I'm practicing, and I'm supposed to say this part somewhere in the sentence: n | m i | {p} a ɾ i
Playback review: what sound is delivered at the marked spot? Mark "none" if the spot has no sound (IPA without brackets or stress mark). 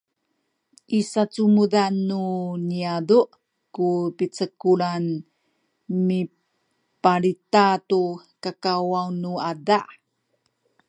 p